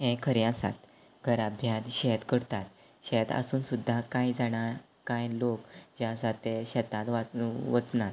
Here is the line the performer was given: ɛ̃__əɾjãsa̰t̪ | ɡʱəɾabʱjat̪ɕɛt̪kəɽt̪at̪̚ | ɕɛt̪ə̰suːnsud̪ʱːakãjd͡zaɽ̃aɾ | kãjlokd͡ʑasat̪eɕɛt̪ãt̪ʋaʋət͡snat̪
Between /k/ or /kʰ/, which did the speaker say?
kʰ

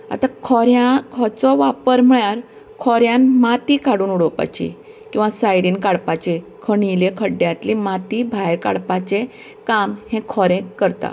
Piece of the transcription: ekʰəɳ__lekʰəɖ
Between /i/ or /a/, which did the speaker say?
i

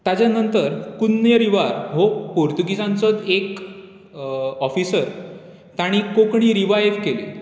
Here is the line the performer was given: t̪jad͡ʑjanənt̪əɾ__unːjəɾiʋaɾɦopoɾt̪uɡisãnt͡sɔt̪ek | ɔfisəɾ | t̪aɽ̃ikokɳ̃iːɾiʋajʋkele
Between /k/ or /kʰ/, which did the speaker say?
k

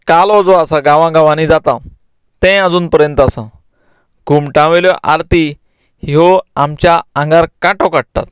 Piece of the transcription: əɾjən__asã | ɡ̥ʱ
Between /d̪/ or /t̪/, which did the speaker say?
t̪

